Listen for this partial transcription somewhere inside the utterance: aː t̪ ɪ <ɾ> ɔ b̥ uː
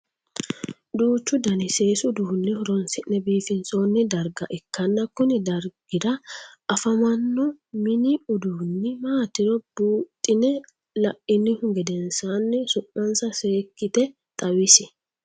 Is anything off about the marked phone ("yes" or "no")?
no